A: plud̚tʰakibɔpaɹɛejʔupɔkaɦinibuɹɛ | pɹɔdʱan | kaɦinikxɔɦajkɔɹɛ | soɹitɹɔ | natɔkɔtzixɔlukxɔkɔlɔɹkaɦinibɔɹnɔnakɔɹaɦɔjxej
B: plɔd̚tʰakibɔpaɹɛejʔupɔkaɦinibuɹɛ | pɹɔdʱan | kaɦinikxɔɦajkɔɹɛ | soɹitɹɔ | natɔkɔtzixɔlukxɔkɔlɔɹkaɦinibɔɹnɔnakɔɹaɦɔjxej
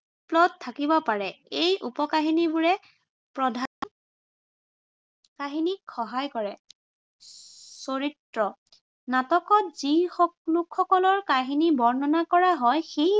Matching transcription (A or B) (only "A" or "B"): B